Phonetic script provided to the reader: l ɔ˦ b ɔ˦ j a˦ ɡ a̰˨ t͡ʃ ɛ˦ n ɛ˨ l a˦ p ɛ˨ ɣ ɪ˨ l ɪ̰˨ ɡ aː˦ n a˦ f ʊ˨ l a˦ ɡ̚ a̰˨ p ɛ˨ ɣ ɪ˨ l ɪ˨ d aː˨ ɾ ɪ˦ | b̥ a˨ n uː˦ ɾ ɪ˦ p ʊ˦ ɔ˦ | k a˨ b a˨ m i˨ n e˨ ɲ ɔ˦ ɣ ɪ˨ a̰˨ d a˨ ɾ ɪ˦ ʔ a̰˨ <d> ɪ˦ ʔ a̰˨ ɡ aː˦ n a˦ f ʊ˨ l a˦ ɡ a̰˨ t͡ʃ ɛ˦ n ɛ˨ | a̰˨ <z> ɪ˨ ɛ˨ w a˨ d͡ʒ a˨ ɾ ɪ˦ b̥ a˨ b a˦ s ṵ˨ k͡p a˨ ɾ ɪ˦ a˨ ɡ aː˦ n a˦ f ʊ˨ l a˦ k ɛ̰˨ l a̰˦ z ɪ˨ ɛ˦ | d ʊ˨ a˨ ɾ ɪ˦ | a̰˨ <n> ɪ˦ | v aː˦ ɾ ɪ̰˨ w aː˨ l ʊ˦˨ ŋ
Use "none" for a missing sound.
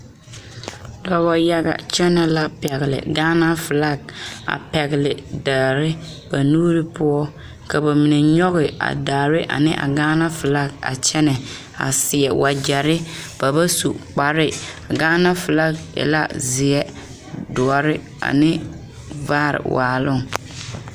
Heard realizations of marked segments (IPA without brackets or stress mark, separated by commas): n, s, n